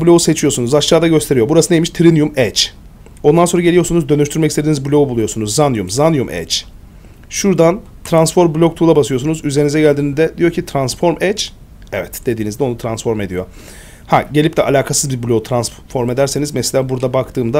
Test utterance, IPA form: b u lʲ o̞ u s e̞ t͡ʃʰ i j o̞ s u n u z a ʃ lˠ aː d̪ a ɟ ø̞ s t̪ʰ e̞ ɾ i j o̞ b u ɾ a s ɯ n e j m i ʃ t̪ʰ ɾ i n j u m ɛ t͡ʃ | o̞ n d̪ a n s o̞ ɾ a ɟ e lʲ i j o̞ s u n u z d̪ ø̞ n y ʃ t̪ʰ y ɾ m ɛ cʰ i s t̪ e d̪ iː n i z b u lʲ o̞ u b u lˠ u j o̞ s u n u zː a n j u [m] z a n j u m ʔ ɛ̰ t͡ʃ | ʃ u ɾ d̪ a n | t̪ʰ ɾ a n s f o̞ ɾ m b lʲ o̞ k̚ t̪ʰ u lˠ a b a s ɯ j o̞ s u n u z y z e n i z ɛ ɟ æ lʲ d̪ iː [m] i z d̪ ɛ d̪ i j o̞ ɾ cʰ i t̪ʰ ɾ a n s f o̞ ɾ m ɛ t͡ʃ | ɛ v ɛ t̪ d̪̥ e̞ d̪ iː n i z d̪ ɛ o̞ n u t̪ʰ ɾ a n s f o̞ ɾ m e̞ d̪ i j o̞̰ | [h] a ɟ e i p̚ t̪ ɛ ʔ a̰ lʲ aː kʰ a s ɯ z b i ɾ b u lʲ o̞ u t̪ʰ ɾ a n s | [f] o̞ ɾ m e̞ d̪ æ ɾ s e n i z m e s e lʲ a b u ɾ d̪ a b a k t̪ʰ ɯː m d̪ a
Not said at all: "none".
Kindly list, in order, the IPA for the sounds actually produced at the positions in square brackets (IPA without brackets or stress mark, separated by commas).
m, n, h, f